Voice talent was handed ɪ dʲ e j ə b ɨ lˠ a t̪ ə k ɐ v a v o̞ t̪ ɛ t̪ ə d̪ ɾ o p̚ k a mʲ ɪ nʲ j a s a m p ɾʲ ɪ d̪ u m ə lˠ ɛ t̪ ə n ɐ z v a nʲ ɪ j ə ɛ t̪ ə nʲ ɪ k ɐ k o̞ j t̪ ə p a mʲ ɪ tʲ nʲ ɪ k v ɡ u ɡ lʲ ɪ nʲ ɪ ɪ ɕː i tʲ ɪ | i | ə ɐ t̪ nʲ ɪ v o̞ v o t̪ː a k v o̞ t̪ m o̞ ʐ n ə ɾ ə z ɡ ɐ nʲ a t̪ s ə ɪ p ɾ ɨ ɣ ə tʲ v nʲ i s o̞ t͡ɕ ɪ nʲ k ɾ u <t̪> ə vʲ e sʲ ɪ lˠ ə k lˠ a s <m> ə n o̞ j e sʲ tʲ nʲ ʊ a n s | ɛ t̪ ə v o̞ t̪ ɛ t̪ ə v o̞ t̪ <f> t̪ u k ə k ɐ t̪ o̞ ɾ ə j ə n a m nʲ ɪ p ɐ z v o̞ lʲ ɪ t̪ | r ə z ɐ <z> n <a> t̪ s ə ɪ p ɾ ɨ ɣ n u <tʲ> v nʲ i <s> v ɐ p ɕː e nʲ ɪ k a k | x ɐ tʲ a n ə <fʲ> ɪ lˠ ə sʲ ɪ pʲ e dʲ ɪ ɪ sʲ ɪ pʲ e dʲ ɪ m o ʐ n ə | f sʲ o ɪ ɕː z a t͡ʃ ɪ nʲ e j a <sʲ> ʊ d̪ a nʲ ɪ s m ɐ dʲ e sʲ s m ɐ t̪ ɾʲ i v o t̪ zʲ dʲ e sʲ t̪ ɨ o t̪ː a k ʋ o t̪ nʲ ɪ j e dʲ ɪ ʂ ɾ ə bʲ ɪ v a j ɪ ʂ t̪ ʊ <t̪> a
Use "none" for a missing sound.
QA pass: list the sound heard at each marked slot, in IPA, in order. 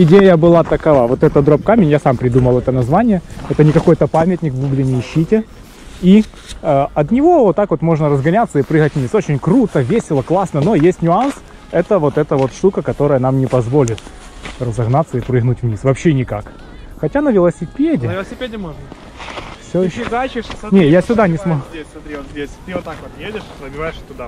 t̪, n, ʂ, ɣ, a, tʲ, s, vʲ, sʲ, d̪

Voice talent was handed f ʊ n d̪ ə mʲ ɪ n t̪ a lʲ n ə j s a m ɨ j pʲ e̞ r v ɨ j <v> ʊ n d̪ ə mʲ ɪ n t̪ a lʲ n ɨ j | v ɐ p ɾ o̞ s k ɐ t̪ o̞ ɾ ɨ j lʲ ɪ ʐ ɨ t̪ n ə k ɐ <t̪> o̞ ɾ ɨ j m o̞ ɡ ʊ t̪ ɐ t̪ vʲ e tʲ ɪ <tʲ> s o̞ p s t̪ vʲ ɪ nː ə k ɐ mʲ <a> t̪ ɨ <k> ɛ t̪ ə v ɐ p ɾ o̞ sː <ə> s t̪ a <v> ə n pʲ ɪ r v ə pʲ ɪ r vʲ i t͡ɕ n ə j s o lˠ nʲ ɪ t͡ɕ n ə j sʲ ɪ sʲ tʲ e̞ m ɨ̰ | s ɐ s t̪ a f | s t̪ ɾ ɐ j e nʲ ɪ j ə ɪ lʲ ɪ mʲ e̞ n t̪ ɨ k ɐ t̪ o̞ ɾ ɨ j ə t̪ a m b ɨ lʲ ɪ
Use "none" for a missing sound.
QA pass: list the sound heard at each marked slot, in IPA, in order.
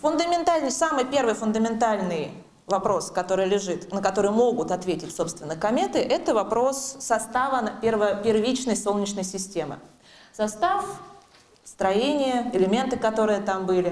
f, t̪, tʲ, e, ʔ, ɐ, v

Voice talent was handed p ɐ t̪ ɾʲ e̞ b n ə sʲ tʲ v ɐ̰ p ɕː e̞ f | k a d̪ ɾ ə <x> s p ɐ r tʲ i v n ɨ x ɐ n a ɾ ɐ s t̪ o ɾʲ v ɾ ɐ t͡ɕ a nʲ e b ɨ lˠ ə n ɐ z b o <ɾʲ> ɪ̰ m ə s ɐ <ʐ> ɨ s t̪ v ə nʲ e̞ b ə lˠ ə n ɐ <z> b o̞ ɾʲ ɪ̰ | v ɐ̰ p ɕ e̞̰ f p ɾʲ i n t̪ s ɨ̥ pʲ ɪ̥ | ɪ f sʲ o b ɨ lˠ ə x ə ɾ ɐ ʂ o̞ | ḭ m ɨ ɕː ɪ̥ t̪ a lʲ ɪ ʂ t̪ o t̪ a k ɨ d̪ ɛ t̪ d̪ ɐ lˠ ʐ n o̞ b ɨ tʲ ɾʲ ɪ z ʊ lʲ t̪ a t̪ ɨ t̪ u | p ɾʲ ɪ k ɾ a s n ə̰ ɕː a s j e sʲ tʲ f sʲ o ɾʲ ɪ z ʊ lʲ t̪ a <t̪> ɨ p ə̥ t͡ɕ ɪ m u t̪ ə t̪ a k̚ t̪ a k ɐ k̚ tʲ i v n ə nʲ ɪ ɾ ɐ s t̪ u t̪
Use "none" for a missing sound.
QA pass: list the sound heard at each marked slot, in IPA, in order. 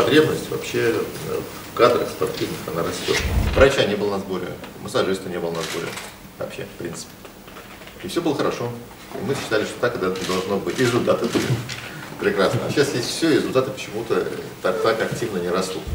x, ɾʲ, ʐ, z, t̪

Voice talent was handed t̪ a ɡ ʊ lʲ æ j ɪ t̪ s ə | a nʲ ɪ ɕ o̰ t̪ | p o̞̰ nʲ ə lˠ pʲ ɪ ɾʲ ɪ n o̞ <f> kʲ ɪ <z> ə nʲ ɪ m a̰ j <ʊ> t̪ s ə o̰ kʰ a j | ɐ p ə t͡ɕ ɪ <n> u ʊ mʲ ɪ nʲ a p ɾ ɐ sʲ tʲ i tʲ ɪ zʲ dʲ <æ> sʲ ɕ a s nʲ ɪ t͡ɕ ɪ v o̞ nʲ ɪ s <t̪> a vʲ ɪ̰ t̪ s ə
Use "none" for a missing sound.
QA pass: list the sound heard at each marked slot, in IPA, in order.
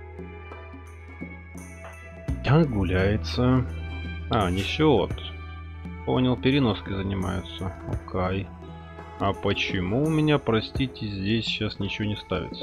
s, z, ʊ, m, e, t̪

